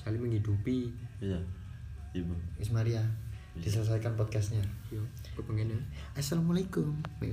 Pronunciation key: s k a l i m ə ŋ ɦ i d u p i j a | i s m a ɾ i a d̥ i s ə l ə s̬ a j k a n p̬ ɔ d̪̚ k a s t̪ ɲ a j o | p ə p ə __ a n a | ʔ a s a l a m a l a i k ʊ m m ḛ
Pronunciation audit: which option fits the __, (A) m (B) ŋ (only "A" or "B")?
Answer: B